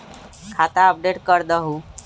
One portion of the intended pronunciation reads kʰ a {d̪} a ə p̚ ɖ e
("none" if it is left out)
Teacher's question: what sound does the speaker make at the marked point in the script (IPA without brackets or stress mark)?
t̪